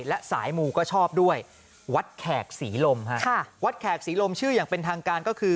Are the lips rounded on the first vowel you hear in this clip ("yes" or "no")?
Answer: no